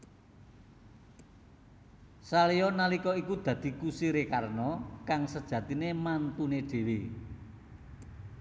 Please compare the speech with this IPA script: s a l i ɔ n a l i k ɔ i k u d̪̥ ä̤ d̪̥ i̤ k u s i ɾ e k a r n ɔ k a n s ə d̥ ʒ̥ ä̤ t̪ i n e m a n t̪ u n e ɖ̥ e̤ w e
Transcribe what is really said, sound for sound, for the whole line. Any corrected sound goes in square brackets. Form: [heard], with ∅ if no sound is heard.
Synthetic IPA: s a l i ɔ n a l i k ɔ i k u d̪̥ ä̤ d̪̥ i̤ k u s i ɾ e k a r n ɔ k a [ŋ] s ə d̥ ʒ̥ ä̤ t̪ i n e m a n t̪ u n e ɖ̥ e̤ w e